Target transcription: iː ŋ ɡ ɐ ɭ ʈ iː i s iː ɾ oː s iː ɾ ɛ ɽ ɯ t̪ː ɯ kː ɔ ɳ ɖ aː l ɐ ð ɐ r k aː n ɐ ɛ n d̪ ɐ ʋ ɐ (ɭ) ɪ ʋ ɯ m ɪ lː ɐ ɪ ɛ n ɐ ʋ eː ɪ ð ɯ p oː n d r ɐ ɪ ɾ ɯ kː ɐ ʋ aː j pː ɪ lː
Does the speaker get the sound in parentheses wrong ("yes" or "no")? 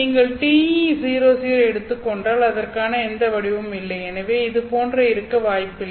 yes